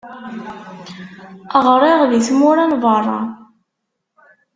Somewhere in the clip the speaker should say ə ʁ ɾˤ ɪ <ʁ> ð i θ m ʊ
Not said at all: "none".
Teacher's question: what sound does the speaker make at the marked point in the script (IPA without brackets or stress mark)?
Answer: ʁ